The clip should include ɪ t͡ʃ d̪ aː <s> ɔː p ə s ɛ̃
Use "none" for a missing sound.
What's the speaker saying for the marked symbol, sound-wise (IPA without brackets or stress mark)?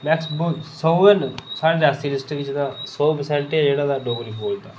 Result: s